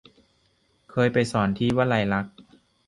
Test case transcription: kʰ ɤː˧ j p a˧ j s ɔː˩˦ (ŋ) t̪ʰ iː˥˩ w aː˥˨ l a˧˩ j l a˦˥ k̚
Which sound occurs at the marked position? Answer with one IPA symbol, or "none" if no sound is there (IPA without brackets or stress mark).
n